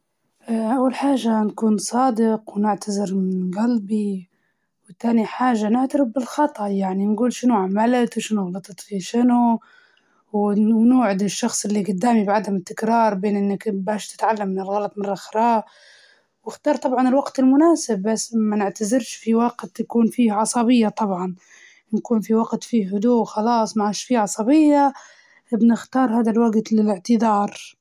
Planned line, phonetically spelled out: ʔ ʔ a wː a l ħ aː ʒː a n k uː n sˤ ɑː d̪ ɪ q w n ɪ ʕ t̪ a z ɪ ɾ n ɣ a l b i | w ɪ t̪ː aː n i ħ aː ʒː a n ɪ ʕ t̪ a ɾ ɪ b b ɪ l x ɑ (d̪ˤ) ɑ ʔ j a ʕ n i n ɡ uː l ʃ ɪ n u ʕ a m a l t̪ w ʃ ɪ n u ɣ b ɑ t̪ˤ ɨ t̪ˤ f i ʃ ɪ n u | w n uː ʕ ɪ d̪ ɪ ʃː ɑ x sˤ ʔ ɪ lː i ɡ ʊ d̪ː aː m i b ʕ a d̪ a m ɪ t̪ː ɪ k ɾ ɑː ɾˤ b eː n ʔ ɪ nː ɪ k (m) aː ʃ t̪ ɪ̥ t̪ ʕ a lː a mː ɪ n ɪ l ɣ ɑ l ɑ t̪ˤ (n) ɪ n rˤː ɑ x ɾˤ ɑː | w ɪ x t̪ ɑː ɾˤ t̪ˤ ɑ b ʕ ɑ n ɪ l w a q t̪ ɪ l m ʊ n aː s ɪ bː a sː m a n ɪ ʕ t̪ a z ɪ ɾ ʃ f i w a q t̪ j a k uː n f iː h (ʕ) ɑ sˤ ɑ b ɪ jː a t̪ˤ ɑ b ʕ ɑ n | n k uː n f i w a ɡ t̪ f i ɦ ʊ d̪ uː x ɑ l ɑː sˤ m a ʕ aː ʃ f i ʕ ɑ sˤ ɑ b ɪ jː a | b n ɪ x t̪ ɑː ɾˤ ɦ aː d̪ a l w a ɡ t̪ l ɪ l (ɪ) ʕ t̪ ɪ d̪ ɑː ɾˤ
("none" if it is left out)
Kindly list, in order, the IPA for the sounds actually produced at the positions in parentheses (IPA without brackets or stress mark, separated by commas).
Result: t̪ˤ, b, m, ʕ, ɪ